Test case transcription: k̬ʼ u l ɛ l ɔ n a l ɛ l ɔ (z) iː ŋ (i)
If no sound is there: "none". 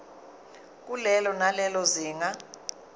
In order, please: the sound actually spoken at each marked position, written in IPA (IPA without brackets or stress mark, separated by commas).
z, a